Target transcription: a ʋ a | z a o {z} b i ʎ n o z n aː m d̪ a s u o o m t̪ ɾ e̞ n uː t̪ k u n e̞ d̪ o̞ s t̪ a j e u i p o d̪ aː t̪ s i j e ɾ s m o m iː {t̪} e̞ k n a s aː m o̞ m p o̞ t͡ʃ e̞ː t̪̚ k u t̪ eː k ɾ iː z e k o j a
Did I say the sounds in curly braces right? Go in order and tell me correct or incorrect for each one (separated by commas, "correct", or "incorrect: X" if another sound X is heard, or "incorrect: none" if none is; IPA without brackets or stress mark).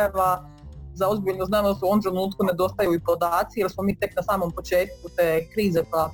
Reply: correct, correct